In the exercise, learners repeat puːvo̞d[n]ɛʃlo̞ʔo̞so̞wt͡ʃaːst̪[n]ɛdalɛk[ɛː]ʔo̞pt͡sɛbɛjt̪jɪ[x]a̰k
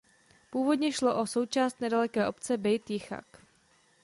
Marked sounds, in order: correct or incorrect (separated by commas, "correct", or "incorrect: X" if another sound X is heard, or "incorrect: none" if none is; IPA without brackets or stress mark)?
incorrect: ɲ, correct, correct, correct